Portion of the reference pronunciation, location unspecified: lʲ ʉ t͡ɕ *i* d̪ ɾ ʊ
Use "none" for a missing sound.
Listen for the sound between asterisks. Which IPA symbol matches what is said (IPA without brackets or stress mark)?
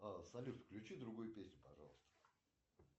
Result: i